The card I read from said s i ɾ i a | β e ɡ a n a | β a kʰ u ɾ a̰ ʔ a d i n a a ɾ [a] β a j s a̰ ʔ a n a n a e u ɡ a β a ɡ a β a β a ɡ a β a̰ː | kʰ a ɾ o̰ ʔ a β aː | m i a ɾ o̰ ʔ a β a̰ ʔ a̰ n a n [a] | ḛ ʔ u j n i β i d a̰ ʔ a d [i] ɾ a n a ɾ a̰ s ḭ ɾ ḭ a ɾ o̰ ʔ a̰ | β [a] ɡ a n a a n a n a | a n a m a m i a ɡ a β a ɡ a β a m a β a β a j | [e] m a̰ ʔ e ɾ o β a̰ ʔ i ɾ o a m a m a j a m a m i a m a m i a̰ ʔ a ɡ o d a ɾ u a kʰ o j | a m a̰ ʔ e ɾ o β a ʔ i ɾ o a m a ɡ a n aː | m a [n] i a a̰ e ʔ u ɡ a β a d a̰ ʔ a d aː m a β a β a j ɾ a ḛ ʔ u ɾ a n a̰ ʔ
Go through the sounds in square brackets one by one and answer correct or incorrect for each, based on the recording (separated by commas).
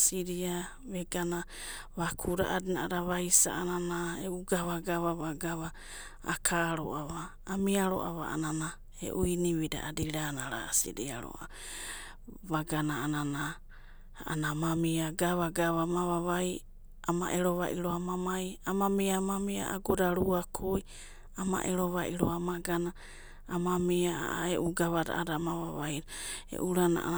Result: correct, correct, correct, correct, incorrect, incorrect